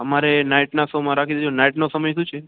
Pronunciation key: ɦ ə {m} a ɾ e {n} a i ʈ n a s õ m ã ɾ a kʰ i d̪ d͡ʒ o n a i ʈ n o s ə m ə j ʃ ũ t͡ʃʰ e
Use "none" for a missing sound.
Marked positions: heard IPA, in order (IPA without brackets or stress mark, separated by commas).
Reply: m, n